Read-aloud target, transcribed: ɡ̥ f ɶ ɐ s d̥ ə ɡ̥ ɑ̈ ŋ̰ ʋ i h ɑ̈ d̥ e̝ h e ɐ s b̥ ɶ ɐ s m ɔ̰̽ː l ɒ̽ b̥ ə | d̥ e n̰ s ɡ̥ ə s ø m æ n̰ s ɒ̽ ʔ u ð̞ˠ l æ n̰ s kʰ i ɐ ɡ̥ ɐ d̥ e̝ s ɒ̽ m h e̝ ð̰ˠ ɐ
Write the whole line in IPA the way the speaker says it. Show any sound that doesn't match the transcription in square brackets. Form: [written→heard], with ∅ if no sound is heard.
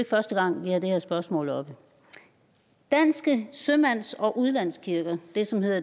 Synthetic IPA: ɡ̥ f ɶ ɐ s d̥ ə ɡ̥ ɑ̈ ŋ̰ ʋ i h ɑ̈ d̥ e̝ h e ɐ s b̥ ɶ ɐ s m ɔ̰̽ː l ɒ̽ b̥ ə | d̥ [e→æ] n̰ s ɡ̥ ə s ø m æ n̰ s ɒ̽ ʔ u ð̞ˠ l æ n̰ s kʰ i ɐ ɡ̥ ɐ d̥ e̝ s ɒ̽ m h e̝ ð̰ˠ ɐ